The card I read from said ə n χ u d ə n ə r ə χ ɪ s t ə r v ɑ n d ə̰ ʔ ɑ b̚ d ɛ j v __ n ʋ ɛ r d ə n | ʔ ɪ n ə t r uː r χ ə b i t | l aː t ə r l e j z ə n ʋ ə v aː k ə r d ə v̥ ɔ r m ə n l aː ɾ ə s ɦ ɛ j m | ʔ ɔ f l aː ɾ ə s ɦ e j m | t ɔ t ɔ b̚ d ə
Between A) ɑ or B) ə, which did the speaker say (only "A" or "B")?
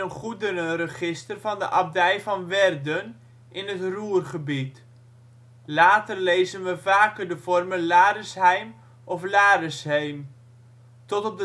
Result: A